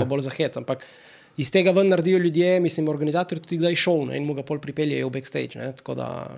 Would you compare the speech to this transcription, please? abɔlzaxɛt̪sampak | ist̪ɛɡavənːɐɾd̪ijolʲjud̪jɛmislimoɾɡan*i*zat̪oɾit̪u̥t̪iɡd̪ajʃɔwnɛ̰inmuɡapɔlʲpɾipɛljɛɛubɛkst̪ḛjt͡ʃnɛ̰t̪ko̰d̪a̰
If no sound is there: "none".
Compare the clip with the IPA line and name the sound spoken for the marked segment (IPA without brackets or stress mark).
i